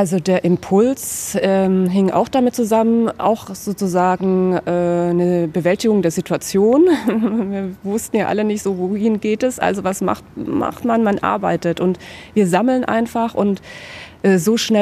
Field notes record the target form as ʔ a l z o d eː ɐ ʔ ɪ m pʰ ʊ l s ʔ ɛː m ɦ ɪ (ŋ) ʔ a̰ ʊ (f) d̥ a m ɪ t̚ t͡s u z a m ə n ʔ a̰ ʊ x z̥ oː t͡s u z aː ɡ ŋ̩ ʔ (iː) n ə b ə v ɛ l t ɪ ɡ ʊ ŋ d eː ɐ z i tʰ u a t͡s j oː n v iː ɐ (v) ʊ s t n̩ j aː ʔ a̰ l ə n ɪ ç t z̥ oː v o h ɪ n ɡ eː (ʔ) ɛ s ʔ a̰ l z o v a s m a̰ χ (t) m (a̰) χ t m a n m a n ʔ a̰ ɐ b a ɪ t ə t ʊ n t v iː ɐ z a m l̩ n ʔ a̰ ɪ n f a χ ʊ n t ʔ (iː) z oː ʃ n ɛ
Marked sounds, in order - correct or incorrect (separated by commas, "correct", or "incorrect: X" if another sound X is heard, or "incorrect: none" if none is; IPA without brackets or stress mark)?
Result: correct, incorrect: x, incorrect: ɛː, correct, incorrect: t, correct, correct, incorrect: ɛː